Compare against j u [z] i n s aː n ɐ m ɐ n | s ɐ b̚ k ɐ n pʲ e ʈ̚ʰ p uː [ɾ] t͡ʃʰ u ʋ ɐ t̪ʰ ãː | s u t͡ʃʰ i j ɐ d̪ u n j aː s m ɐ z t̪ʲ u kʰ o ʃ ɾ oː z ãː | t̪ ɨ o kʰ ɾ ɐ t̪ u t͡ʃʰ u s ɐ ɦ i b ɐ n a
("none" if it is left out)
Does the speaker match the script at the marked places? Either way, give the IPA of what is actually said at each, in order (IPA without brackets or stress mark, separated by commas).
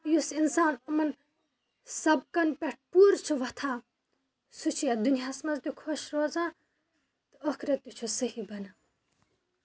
s, ɾ